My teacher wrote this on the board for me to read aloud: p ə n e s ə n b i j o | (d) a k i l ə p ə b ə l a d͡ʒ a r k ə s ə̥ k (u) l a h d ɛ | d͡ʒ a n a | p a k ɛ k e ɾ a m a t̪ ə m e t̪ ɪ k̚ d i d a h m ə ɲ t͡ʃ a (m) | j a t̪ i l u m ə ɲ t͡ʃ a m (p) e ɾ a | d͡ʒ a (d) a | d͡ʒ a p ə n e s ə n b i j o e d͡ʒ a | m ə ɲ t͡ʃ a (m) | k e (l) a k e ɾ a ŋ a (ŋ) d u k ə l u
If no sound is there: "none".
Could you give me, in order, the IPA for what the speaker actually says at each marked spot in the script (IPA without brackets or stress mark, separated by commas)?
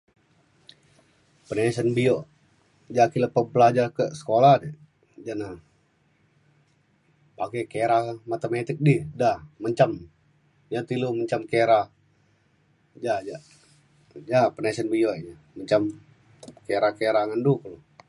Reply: d͡ʒ, o, m, k, d͡ʒ, m, ɾ, n